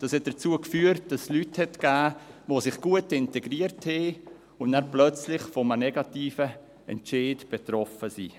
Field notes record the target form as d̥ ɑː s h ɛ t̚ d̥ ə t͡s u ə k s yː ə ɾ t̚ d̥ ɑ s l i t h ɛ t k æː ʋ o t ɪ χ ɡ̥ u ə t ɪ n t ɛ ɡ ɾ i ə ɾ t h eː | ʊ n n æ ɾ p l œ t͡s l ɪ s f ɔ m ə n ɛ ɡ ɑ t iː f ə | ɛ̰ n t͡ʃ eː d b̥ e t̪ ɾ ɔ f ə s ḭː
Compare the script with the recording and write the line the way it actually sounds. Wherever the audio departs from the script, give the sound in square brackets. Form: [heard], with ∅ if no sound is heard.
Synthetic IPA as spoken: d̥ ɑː s h ɛ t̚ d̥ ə t͡s u ə k [f] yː ə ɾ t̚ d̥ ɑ s l [y] t h ɛ t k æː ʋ o [s] ɪ χ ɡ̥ u ə t ɪ n t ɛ ɡ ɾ i ə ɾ t h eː | ʊ n n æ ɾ p l œ t͡s l ɪ [χ] f ɔ m ə n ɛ ɡ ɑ t iː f ə | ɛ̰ n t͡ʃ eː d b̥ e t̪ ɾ ɔ f ə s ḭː